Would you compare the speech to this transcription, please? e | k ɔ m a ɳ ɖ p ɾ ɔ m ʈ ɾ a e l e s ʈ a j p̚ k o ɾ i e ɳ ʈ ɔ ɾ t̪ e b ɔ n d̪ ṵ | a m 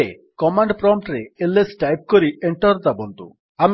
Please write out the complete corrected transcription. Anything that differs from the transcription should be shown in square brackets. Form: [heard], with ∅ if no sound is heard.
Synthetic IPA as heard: e | k ɔ m a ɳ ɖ p ɾ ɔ m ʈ ɾ [e] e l e s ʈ a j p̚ k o ɾ i e ɳ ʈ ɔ ɾ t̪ [a] b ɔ n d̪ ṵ | a m